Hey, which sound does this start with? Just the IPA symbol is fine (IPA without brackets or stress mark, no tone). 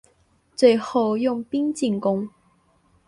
t͡s